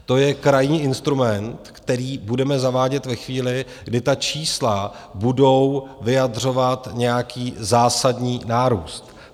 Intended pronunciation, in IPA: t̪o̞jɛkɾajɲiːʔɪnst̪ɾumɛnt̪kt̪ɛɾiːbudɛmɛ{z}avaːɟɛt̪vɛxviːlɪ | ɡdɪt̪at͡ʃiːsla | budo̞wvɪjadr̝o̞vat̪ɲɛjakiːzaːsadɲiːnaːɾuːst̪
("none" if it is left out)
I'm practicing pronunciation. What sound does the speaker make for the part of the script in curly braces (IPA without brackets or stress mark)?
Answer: z